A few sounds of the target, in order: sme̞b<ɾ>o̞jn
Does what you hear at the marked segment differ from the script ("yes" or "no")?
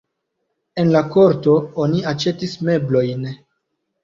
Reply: yes